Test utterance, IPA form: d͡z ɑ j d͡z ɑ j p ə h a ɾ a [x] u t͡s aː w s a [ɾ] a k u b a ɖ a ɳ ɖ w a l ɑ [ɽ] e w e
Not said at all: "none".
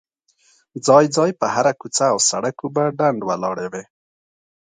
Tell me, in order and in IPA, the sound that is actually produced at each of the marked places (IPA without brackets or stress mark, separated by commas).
k, ɽ, ɽ